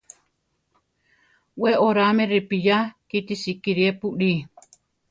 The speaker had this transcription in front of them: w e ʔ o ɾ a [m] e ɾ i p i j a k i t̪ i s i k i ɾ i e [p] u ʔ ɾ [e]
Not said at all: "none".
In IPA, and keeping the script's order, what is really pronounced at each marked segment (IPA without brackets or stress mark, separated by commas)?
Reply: m, p, i